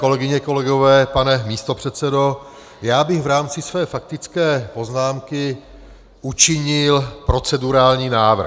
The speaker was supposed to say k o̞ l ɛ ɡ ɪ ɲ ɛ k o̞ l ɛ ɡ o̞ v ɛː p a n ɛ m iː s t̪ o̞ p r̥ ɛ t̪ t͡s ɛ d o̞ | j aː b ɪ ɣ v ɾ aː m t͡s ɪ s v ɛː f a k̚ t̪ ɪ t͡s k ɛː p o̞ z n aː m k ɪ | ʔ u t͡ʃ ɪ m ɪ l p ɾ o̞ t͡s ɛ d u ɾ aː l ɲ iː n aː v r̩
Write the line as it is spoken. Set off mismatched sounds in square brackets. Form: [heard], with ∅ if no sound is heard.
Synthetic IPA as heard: k o̞ l ɛ ɡ ɪ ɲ ɛ k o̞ l ɛ ɡ o̞ v ɛː p a n ɛ m iː s t̪ o̞ p r̥ ɛ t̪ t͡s ɛ d o̞ | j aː b ɪ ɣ v ɾ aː m t͡s ɪ s v ɛː f a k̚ t̪ ɪ t͡s k ɛː p o̞ z n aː m k ɪ | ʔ u t͡ʃ ɪ [ɲ] ɪ l p ɾ o̞ t͡s ɛ d u ɾ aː l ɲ iː n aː v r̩